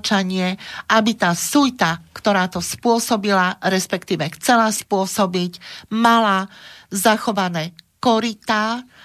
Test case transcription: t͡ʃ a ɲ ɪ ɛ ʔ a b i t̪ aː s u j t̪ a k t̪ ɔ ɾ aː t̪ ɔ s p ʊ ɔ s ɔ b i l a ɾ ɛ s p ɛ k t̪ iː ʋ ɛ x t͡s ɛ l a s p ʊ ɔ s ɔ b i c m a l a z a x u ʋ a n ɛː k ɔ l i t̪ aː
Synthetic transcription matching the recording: t͡ʃ a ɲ ɪ ɛ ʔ a b i t̪ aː s u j t̪ a k t̪ ɔ ɾ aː t̪ ɔ s p ʊ ɔ s ɔ b i l a ɾ ɛ s p ɛ k t̪ iː ʋ ɛ x t͡s ɛ l a s p ʊ ɔ s ɔ b i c m a l a z a x ɔ ʋ a n ɛː k ɔ ɾ i t̪ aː